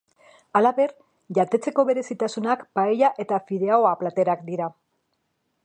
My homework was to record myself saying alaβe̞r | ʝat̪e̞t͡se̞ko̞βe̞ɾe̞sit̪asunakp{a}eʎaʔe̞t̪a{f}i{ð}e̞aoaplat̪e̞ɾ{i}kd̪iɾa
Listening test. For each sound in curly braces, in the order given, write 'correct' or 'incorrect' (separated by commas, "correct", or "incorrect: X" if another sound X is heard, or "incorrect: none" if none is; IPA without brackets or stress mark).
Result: correct, correct, correct, incorrect: a